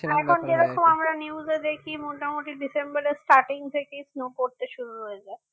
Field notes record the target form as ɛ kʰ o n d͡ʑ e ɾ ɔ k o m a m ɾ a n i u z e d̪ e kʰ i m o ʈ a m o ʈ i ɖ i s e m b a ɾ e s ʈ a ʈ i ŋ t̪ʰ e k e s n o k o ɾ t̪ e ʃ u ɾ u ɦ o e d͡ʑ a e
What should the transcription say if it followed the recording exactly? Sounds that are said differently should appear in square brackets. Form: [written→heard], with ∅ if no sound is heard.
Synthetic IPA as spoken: ɛ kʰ o n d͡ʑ e ɾ ɔ k o m a m ɾ a n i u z e d̪ e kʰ i m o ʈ a m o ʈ i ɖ i s e m b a ɾ e s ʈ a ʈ i ŋ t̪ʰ e k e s n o k o ɾ t̪ e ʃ u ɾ u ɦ o e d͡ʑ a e